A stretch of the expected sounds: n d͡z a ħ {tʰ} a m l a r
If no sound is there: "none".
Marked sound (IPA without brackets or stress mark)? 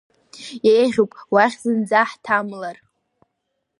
tʰ